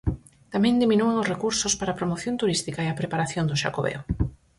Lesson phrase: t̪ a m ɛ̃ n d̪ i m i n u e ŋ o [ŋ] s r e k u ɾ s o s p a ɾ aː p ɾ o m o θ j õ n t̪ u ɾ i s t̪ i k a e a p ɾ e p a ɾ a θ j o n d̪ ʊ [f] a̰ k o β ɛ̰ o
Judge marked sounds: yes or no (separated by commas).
no, no